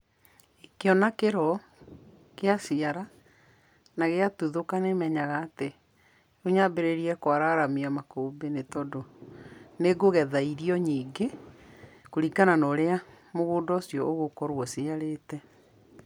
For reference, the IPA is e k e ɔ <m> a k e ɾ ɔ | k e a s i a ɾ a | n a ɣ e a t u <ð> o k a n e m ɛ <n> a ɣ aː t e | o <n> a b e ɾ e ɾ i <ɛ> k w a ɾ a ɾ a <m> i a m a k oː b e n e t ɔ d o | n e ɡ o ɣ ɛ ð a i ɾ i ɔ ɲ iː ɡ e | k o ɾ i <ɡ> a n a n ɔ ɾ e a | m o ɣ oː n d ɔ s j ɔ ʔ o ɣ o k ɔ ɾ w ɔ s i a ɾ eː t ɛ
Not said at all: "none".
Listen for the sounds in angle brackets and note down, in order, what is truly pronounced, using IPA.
n, ð, ɲ, ɲ, ɛ, m, k

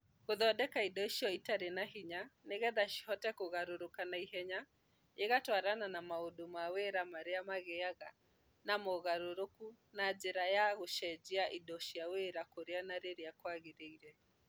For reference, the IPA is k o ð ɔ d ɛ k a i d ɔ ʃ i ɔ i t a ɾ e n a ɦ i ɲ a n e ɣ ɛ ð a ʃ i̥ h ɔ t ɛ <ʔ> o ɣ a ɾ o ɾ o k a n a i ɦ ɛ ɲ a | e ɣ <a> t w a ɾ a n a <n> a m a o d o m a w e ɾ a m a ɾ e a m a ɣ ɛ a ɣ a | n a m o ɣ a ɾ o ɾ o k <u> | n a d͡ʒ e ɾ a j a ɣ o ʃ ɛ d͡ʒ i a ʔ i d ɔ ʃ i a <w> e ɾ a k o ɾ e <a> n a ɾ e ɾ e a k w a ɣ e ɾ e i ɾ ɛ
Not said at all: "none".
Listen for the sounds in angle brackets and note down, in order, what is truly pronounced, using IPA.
k, a, n, u, w, a

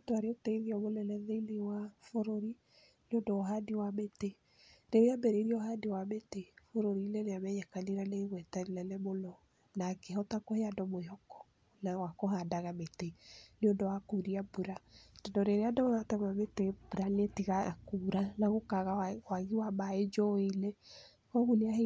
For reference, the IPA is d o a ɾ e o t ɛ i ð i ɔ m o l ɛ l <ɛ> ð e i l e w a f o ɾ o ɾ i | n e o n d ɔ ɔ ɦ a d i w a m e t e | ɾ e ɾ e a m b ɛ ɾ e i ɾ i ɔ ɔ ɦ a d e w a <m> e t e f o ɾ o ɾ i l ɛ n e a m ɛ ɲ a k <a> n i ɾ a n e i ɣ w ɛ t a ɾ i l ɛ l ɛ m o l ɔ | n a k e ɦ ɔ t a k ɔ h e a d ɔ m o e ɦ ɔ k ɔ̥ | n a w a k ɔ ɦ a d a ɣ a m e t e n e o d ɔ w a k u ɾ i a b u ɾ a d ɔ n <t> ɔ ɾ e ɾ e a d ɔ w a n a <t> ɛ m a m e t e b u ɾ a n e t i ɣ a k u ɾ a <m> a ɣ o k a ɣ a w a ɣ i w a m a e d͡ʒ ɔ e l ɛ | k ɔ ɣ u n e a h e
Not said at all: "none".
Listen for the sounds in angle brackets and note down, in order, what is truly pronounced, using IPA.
ɛ, m, a, d, t, n

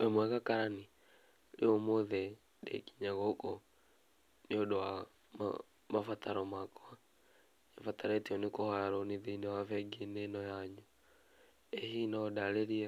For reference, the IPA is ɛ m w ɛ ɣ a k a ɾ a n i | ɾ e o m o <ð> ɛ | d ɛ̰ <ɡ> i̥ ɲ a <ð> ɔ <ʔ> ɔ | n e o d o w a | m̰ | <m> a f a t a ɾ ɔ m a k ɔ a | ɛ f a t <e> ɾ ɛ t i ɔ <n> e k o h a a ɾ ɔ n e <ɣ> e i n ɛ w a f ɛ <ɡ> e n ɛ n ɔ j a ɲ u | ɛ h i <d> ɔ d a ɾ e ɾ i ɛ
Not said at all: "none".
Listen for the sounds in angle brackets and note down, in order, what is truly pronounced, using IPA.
ð, k, ɣ, k, m, a, n, ð, ɡ, n

